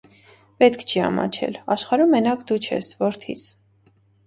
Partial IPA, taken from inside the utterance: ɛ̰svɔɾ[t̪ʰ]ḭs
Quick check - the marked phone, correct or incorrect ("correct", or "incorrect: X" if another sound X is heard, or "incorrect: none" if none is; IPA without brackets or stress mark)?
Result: correct